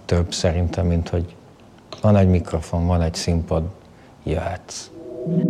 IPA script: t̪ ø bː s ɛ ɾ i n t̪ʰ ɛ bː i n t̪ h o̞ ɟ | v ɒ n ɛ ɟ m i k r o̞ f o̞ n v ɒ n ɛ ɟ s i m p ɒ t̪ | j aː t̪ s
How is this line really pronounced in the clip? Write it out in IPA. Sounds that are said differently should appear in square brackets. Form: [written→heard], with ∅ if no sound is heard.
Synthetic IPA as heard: t̪ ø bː s ɛ ɾ i n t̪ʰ ɛ [bː→mː] i n t̪ h o̞ ɟ | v ɒ n ɛ ɟ m i k r o̞ f o̞ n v ɒ n ɛ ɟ s i m p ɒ [t̪→d̪] | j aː t̪ s